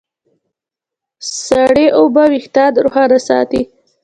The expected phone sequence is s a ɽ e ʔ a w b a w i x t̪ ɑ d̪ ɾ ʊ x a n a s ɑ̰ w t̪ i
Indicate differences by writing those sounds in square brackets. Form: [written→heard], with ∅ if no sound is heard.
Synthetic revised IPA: s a ɽ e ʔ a w b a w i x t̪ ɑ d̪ ɾ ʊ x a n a s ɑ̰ [w→∅] t̪ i